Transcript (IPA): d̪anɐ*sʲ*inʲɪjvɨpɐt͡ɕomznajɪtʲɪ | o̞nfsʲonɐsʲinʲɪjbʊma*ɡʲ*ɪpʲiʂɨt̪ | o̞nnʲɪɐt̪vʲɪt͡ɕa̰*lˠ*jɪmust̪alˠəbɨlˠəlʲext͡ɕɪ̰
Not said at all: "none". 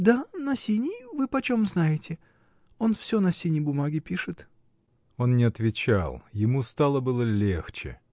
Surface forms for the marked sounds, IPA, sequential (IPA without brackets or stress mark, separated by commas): sʲ, ɡʲ, lˠ